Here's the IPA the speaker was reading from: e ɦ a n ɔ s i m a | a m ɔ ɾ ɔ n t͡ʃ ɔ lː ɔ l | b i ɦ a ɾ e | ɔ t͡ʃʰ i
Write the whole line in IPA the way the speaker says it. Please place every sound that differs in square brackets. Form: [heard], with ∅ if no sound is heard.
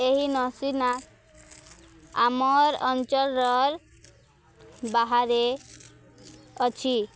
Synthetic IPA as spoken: e ɦ [i] n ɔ s i [n] a | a m ɔ ɾ ɔ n t͡ʃ ɔ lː ɔ [ɾ] | b [a] ɦ a ɾ e | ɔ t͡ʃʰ i